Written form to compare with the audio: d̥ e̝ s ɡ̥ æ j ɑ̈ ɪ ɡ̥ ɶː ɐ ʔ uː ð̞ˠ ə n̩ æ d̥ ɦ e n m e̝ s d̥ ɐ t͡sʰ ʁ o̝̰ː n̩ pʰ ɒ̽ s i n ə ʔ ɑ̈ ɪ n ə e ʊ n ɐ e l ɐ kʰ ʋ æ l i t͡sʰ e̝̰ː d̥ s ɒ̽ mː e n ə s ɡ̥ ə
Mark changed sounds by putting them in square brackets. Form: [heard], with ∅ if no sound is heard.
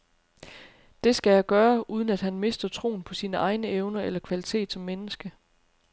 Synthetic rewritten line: d̥ e̝ s ɡ̥ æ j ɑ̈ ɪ ɡ̥ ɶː ɐ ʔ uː ð̞ˠ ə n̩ æ d̥ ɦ [æ] n m e̝ s d̥ ɐ t͡sʰ ʁ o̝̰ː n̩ pʰ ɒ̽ s [iː] n ə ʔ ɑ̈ ɪ n ə e ʊ n ɐ e l ɐ kʰ ʋ æ l i t͡sʰ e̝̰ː d̥ s ɒ̽ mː e n ə s ɡ̥ ə